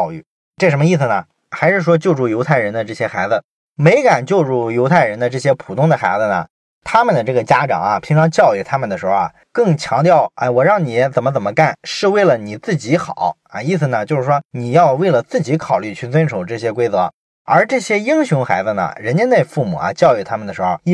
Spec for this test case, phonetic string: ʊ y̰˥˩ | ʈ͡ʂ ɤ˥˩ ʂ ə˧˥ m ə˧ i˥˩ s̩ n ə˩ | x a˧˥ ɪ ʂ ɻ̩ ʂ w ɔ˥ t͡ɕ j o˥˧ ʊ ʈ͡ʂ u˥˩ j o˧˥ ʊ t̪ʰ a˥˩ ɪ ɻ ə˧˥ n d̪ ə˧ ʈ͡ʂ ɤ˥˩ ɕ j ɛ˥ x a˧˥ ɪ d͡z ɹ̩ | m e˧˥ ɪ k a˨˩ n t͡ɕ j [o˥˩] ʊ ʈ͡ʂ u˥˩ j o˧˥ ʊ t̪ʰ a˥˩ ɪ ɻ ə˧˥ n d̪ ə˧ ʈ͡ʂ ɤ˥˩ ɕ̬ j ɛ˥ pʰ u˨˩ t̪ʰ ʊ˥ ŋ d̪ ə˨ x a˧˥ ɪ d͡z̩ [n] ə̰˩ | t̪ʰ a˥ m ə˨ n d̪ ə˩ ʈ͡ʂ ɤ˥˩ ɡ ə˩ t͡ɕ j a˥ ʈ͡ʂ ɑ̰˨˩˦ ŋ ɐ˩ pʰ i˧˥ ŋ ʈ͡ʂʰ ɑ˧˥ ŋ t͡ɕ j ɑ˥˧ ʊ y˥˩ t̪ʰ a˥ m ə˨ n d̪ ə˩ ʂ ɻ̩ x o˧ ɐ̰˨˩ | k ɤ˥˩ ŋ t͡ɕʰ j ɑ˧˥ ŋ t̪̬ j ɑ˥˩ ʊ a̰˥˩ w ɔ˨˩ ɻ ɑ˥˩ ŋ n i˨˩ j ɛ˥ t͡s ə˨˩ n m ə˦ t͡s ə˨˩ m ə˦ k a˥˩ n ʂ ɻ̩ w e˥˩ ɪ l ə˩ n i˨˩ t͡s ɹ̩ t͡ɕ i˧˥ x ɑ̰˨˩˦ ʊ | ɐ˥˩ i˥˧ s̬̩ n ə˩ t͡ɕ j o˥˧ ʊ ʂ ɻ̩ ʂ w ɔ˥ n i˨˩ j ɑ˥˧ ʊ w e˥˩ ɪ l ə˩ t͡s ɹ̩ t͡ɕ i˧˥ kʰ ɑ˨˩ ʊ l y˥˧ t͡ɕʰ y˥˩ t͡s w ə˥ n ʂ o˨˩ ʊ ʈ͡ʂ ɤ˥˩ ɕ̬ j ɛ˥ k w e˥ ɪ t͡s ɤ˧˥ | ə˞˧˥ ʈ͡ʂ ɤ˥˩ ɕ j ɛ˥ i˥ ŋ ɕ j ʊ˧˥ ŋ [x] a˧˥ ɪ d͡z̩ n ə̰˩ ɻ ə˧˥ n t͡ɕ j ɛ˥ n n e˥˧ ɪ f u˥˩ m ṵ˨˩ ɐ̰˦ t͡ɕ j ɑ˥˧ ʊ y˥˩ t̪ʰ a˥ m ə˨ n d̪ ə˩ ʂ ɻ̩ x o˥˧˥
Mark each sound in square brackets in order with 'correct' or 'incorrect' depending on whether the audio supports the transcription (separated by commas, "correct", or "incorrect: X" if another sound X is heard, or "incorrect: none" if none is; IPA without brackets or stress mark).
incorrect: o˥˧, correct, correct